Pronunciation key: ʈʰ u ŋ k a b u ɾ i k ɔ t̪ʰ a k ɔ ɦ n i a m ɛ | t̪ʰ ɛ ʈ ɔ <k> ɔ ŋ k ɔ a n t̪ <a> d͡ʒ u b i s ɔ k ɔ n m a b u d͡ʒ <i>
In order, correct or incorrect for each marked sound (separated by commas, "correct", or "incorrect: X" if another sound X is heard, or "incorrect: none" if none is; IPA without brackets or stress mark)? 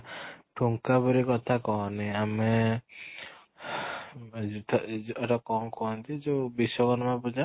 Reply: correct, incorrect: i, incorrect: a